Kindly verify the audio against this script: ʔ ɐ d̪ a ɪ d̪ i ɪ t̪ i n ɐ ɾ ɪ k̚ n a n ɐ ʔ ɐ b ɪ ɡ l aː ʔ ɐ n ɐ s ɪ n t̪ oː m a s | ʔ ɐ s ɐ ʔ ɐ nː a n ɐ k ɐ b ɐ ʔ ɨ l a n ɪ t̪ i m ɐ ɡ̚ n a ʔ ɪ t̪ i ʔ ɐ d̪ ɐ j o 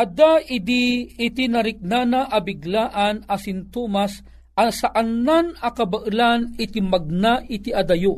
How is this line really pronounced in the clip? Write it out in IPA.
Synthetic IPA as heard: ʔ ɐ d̪ a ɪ d̪ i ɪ t̪ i n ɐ ɾ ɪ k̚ n a n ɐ ʔ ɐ b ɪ ɡ l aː ʔ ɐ n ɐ s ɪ n t̪ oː m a s | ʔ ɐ s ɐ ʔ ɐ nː a n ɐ k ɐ b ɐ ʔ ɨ l a n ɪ t̪ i m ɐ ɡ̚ n a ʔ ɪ t̪ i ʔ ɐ d̪ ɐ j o